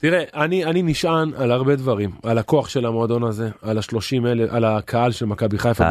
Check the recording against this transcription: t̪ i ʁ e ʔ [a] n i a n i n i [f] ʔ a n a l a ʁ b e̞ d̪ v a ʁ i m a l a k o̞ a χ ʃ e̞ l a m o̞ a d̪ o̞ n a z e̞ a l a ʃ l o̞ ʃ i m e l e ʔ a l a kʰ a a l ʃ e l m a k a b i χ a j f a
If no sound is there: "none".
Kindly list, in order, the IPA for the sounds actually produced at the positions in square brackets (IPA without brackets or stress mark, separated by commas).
a, ʃ